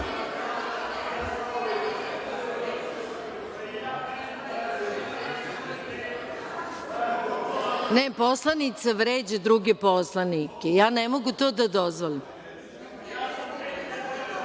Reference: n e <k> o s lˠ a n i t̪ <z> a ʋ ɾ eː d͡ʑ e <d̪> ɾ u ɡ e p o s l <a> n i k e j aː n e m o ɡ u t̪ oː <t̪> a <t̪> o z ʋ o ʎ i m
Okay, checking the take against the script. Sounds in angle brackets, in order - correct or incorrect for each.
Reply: incorrect, incorrect, correct, correct, incorrect, incorrect

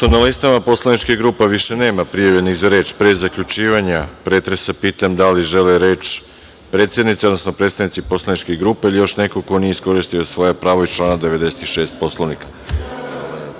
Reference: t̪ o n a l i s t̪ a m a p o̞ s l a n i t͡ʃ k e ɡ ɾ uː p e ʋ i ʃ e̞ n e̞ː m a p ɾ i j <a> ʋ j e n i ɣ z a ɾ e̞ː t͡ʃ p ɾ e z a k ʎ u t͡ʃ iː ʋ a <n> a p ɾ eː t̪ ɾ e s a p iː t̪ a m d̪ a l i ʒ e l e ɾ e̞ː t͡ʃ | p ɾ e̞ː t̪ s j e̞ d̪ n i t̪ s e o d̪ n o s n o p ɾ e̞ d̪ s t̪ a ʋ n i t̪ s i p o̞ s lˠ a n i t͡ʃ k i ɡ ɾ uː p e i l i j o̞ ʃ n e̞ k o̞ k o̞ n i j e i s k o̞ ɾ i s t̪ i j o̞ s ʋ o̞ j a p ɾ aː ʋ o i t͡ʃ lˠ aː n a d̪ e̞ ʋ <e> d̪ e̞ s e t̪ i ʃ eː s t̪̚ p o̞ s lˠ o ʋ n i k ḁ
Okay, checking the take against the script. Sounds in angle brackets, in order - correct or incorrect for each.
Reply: correct, incorrect, correct

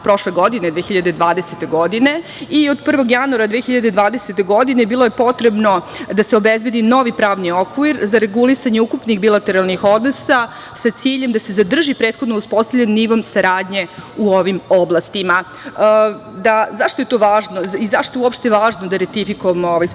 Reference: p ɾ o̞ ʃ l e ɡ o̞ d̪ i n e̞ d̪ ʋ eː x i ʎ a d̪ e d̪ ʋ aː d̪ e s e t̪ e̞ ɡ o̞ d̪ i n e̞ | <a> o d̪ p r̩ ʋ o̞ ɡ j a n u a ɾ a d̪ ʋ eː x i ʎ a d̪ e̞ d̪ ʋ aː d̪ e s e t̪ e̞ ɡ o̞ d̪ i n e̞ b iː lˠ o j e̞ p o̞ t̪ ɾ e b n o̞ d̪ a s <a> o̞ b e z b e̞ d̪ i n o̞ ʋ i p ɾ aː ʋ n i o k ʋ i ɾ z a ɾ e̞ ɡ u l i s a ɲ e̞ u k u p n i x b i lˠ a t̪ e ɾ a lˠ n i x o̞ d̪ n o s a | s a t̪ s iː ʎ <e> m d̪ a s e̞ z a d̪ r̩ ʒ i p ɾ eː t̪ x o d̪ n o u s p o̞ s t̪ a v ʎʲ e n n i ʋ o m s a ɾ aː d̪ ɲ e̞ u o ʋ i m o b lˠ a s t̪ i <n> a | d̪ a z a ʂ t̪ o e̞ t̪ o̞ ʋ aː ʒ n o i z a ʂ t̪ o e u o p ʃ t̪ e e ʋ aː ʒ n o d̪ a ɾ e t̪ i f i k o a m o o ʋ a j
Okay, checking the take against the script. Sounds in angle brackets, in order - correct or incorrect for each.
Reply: incorrect, incorrect, correct, incorrect

